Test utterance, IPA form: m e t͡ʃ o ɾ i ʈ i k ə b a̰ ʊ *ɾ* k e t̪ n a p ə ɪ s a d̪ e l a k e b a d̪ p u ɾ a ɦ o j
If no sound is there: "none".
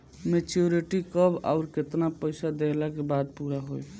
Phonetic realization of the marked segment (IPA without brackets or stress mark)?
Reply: ɾ